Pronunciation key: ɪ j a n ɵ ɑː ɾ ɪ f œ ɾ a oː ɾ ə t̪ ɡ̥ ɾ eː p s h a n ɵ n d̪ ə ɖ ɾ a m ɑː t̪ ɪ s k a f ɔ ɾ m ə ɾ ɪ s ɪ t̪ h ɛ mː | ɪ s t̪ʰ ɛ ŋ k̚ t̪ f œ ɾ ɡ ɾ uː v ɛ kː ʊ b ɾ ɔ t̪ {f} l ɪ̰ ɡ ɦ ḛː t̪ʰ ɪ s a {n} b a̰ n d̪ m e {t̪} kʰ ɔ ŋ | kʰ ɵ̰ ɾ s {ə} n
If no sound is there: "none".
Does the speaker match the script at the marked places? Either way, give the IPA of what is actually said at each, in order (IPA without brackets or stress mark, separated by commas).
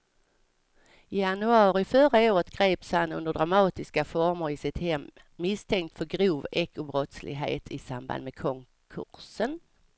s, m, none, ə